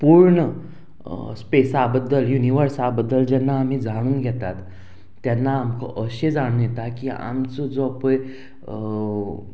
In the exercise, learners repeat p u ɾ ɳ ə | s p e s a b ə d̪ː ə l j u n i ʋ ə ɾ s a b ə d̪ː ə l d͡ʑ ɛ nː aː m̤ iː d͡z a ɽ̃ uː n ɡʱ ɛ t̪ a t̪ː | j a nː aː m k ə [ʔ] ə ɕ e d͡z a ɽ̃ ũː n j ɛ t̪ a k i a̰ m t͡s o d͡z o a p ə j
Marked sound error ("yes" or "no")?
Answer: no